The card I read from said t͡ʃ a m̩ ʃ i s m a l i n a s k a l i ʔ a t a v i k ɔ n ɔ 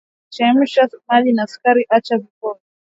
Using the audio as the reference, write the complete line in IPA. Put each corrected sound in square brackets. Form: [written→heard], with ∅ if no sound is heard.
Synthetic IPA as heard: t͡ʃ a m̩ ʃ [i→a] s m a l i n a s k a [l→ɾ] i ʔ a [t→t͡ʃ] a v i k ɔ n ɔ